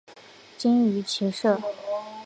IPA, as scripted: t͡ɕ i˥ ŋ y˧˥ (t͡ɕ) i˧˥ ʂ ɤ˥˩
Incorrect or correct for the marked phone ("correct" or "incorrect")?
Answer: incorrect